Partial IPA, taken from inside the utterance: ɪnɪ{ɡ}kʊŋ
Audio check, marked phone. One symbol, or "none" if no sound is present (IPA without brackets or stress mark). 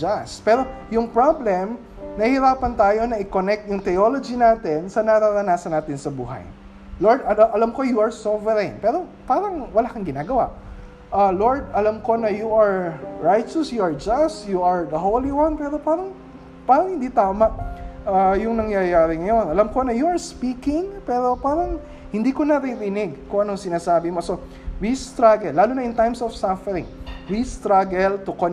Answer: ɡ